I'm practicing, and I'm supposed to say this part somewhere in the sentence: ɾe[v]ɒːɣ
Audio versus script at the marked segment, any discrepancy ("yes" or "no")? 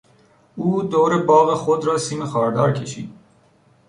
yes